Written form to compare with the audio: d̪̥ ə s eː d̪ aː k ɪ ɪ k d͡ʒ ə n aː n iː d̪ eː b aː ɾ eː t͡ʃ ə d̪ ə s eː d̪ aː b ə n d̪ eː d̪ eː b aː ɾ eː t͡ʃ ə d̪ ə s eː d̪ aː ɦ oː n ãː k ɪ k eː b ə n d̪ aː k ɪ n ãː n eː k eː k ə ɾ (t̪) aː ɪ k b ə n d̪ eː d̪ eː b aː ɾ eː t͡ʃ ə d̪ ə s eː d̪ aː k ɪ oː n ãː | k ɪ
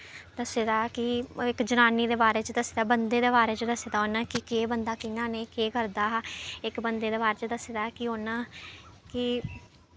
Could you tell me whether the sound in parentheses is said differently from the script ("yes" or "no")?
yes